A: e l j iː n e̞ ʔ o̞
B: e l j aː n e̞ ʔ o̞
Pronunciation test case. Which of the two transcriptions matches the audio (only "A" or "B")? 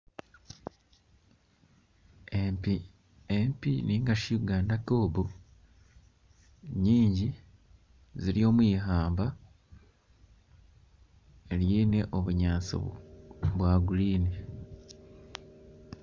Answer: A